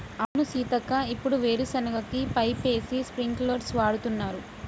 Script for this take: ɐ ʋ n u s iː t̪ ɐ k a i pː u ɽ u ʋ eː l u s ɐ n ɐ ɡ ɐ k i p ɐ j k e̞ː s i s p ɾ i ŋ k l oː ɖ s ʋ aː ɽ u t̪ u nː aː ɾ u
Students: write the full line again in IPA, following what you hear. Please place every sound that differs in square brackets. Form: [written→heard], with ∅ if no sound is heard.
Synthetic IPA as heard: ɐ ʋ n u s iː t̪ ɐ k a i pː u ɽ u ʋ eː [l→ɾ] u s ɐ n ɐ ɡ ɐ k i p ɐ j [k→p] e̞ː s i s p ɾ i ŋ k l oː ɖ s ʋ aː ɽ u t̪ u nː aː ɾ u

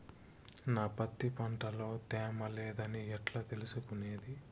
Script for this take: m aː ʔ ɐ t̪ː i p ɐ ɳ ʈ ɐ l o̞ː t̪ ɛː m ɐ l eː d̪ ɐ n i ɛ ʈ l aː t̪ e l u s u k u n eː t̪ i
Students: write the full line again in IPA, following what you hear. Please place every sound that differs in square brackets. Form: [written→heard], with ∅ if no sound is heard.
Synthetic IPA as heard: [m→n] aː [ʔ→p] ɐ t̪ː i p ɐ ɳ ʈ ɐ l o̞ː t̪ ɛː m ɐ l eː d̪ ɐ n i ɛ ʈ l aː t̪ e l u s u k u n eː [t̪→d̪] i

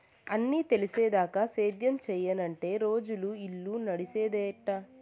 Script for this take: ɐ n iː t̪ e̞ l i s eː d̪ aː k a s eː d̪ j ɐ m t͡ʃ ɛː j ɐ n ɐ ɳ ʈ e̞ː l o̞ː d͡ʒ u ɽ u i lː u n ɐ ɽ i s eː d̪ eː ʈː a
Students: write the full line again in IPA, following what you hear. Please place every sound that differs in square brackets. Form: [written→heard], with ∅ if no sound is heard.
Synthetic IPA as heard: ɐ [n→nː] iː t̪ e̞ l i s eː d̪ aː k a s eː d̪ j ɐ m t͡ʃ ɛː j ɐ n ɐ ɳ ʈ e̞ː [l→ɾ] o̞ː d͡ʒ u [ɽ→l] u i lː u n ɐ ɽ i s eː d̪ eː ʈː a

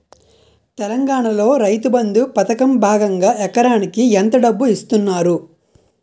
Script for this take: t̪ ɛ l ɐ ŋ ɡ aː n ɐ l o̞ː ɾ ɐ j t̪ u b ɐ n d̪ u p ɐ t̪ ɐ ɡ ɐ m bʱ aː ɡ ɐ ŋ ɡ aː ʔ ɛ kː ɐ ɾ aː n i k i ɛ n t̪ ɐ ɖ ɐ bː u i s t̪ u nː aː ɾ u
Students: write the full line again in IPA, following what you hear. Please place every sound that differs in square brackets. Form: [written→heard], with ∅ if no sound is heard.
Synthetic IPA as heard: t̪ ɛ l ɐ ŋ ɡ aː [n→ɳ] ɐ l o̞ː ɾ ɐ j t̪ u b ɐ n d̪ u p ɐ t̪ ɐ [ɡ→k] ɐ m bʱ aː ɡ ɐ ŋ ɡ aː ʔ ɛ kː ɐ ɾ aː n i k i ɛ n t̪ ɐ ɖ ɐ bː u i s t̪ u nː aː ɾ u

